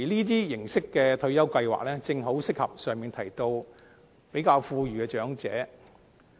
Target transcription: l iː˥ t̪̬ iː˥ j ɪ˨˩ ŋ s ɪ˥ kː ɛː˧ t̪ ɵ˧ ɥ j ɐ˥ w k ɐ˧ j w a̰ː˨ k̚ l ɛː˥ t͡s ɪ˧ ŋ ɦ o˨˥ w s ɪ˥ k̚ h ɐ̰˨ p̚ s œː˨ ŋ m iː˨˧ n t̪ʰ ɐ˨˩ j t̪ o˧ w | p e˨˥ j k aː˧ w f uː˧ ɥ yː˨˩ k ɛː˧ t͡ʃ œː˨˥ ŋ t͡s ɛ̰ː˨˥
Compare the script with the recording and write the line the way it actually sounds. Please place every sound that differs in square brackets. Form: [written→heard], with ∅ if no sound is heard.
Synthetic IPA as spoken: l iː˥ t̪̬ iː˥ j ɪ˨˩ ŋ s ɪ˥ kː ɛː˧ [t̪→t̪ʰ] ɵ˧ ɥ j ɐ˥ w k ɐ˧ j w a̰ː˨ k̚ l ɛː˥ t͡s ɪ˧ ŋ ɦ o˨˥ w s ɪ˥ k̚ h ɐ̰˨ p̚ s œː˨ ŋ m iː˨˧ n t̪ʰ ɐ˨˩ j t̪ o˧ w | p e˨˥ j k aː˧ w f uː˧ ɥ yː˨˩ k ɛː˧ t͡ʃ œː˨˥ ŋ t͡s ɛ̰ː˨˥